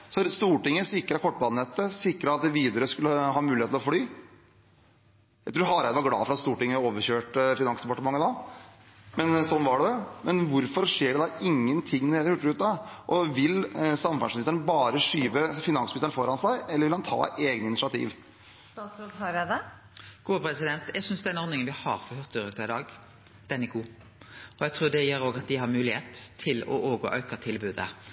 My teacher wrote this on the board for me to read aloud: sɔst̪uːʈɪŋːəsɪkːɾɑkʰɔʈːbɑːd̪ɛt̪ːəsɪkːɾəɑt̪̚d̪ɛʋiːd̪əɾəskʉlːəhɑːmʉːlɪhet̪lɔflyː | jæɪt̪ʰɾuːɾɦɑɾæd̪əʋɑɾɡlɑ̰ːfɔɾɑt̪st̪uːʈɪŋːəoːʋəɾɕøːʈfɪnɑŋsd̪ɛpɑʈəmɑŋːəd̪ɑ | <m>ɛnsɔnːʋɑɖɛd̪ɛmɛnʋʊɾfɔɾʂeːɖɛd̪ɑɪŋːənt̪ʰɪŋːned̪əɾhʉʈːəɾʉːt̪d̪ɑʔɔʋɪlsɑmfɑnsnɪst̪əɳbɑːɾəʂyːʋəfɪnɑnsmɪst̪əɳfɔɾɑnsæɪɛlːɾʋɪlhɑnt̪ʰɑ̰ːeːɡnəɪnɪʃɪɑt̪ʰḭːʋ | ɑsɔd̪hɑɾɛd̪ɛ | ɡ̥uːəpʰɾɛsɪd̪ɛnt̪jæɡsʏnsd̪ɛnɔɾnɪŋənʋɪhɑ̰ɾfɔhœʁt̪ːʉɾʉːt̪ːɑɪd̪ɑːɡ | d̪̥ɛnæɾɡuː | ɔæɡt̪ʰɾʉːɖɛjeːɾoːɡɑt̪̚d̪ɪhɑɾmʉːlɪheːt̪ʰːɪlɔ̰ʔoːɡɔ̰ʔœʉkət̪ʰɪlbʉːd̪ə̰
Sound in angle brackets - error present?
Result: no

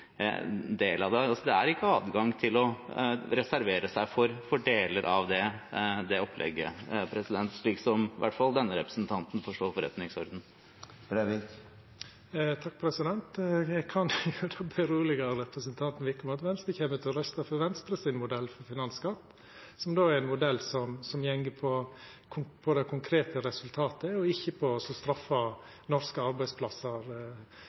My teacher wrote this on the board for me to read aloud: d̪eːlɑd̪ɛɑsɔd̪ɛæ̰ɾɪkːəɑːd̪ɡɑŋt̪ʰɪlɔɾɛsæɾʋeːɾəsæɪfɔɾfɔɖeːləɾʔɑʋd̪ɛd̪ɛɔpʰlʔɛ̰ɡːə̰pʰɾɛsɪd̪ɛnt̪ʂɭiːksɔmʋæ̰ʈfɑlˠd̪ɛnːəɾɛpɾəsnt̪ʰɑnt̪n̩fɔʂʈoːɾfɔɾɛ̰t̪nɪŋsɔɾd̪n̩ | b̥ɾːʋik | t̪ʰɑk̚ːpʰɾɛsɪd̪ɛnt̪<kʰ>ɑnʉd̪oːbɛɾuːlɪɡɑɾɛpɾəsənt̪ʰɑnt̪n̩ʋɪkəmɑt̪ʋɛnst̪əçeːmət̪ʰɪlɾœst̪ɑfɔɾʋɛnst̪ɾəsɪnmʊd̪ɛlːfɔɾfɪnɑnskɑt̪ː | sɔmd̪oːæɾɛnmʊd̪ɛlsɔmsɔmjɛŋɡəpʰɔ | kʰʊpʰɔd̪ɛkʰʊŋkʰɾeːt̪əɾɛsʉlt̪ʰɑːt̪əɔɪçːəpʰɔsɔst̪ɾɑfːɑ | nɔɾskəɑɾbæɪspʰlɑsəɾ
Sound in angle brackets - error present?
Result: no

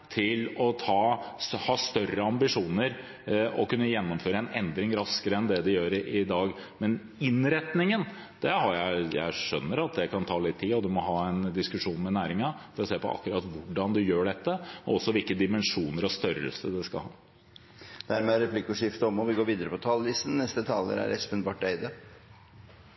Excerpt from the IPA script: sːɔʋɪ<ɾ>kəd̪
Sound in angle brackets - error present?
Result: yes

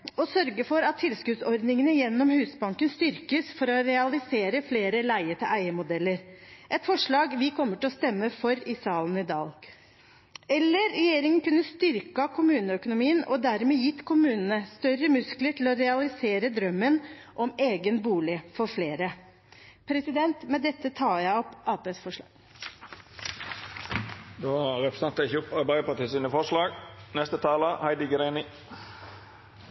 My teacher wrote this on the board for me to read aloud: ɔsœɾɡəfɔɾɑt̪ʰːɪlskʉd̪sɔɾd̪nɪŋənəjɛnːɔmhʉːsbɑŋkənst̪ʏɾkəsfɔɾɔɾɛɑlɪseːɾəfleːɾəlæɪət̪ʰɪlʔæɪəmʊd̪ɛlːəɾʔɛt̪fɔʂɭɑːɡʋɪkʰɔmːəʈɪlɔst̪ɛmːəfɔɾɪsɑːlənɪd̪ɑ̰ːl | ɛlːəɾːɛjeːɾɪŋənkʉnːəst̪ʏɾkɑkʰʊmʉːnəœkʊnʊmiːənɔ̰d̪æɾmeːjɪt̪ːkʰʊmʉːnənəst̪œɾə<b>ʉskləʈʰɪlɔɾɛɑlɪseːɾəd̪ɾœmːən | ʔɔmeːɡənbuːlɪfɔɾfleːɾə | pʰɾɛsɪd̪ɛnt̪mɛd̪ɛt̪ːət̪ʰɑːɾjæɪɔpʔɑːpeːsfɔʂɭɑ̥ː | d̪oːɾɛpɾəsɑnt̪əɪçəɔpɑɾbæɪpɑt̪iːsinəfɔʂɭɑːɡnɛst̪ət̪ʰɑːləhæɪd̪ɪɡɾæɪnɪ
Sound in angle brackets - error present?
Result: yes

